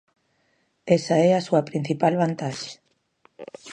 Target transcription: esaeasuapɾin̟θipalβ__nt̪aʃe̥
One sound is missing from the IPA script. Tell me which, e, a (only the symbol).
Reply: a